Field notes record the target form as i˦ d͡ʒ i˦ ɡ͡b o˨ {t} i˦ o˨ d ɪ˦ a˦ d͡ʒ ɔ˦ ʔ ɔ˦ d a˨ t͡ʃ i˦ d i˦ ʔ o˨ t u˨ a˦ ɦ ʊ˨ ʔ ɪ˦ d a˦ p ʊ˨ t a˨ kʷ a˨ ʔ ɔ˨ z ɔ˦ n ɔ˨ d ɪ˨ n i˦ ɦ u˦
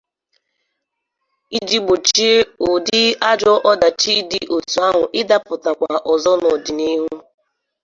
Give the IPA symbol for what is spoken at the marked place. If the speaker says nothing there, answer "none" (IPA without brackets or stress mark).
t͡ʃ